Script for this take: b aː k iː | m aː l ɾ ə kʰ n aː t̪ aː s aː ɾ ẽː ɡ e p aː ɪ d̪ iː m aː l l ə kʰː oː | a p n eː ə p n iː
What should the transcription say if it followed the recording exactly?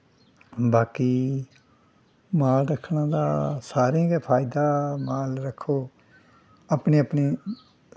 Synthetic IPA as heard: b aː k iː | m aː l ɾ ə kʰ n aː d̪ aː s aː ɾ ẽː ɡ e pʰ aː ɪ d̪ aː m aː l ɾ ə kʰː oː | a p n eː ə p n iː